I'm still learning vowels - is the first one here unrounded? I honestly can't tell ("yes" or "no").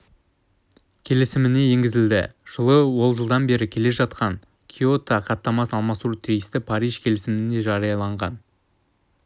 yes